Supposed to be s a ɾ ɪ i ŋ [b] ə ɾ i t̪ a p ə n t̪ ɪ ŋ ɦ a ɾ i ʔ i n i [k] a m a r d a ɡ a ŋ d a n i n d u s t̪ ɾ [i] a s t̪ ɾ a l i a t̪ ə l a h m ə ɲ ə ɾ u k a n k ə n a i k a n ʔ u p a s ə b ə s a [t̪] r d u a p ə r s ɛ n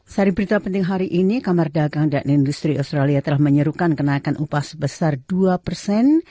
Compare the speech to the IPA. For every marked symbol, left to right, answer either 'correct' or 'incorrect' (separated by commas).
correct, correct, correct, incorrect